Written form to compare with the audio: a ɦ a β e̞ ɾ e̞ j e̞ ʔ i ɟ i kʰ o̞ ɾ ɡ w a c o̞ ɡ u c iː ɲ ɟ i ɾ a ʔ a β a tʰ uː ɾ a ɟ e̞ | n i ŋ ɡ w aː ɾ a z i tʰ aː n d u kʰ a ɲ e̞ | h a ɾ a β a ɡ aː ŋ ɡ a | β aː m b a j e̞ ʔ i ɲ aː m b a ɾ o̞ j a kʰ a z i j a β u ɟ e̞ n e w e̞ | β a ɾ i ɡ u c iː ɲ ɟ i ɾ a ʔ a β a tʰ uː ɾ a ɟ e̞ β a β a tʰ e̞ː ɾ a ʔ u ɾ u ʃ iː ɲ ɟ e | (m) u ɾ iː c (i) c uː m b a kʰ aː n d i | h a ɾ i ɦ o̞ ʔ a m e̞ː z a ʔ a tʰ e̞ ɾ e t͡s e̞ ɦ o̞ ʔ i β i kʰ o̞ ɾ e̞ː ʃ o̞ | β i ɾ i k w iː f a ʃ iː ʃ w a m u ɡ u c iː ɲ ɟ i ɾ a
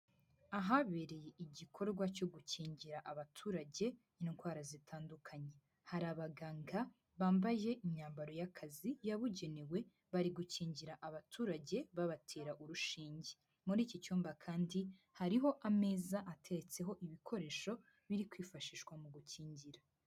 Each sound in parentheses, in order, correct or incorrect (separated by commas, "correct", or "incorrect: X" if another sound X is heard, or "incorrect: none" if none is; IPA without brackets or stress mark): correct, correct